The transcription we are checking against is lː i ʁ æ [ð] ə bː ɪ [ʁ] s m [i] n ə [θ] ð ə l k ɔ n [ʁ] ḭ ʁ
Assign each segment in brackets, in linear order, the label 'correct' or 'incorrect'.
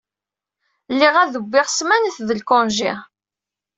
correct, correct, incorrect: æ, correct, incorrect: ʒ

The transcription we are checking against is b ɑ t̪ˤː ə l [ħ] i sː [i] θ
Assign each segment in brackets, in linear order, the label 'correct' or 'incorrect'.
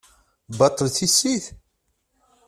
incorrect: θ, correct

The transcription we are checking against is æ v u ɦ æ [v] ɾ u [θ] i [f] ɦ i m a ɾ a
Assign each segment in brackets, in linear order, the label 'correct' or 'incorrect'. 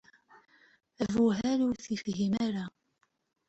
incorrect: none, correct, correct

